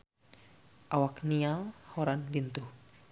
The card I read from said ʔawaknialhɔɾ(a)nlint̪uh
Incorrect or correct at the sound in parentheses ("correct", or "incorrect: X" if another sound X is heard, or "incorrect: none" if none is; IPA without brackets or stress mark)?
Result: correct